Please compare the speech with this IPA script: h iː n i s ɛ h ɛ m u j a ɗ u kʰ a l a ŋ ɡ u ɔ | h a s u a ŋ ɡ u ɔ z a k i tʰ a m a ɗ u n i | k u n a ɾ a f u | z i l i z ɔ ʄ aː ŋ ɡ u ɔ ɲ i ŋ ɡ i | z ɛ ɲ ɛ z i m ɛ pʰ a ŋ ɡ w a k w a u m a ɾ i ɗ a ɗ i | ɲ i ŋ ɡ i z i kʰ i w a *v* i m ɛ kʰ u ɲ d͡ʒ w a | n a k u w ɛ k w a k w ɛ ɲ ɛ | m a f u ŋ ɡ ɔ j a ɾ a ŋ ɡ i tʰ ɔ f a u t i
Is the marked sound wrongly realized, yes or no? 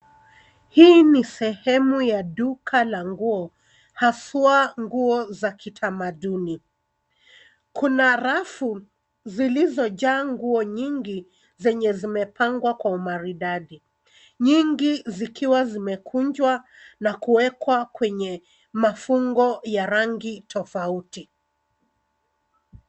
yes